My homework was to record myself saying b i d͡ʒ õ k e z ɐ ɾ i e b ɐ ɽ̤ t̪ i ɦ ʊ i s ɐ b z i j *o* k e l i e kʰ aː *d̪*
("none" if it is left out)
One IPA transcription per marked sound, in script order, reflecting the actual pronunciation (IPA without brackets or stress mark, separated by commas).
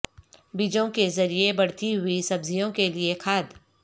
õ, d̪